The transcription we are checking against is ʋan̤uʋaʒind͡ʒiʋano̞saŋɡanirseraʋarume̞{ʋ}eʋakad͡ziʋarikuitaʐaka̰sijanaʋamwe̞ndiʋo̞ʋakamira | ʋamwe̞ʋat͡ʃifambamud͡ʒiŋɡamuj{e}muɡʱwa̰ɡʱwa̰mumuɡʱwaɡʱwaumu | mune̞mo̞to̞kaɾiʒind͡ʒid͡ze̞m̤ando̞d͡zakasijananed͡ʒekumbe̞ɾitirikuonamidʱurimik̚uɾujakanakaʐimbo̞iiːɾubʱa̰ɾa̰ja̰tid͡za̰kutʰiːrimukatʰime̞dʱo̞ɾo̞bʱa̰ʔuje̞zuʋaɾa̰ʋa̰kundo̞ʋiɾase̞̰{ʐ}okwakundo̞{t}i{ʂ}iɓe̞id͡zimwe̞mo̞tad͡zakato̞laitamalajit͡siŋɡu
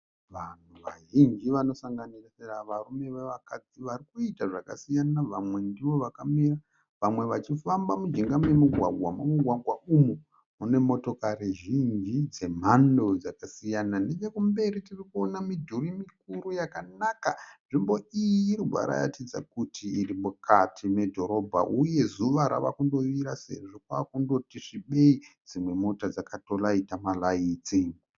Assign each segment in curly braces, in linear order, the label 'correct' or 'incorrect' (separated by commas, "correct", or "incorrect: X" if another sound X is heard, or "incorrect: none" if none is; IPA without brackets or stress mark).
correct, correct, correct, correct, correct